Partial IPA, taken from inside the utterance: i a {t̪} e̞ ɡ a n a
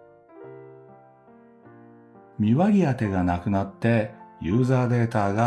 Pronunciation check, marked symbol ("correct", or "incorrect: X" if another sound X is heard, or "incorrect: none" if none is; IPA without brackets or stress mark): correct